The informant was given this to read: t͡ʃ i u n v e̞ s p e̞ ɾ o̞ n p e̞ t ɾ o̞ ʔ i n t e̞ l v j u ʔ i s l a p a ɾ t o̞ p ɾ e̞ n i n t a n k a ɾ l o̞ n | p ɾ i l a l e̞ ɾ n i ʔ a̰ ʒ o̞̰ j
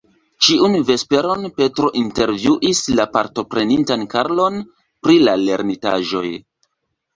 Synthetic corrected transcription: t͡ʃ i u n v e̞ s p e̞ ɾ o̞ n p e̞ t ɾ o̞ ʔ i n t e̞ ɾ v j u ʔ i s l a p a ɾ t o̞ p ɾ e̞ n i n t a n k a ɾ l o̞ n | p ɾ i l a l e̞ ɾ n i t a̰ ʒ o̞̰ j